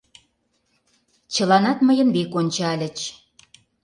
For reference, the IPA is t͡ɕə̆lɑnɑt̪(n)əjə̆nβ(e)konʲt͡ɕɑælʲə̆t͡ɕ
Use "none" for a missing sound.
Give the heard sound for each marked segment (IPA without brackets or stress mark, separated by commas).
m, e